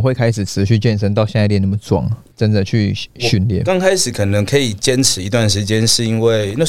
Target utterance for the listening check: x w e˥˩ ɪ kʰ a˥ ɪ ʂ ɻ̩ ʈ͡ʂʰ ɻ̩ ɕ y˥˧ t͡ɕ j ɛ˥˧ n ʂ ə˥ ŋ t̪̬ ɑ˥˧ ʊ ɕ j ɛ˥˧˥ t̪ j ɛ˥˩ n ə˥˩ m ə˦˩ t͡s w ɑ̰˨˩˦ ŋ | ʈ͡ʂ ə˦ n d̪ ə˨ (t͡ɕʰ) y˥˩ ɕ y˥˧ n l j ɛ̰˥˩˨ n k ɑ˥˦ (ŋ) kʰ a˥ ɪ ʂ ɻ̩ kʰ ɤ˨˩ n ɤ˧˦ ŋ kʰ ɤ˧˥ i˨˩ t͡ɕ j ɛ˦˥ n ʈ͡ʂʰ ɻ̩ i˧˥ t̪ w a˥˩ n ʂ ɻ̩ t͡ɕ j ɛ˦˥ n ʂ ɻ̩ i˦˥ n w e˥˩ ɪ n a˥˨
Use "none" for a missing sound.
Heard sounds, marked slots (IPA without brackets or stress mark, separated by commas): t͡ɕʰ, ŋ